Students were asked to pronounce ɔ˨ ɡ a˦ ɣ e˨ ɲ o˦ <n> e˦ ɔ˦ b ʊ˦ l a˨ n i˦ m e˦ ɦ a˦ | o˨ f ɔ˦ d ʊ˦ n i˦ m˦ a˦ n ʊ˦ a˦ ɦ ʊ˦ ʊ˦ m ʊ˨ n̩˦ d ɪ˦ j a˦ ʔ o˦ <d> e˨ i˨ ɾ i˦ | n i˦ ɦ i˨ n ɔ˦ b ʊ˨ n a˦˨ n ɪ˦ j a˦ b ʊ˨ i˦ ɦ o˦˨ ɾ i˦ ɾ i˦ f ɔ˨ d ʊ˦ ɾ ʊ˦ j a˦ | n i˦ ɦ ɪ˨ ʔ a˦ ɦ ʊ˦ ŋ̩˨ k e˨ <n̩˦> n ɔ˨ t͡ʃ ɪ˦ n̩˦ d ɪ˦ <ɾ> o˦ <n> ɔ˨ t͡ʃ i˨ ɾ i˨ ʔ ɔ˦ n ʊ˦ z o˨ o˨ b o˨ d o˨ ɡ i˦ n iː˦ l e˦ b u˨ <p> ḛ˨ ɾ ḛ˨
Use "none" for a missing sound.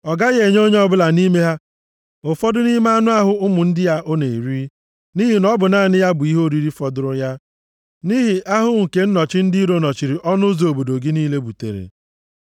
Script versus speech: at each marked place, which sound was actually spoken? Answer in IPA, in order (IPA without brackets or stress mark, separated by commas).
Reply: ɲ, n, n̩˦, ɾ, n, t